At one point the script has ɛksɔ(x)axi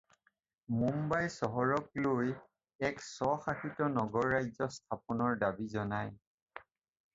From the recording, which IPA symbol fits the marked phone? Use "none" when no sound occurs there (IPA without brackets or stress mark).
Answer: x